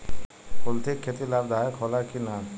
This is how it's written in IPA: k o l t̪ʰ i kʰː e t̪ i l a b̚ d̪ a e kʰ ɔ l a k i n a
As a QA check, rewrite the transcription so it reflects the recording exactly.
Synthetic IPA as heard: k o l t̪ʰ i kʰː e t̪ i l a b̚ d̪ a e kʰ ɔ l a k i n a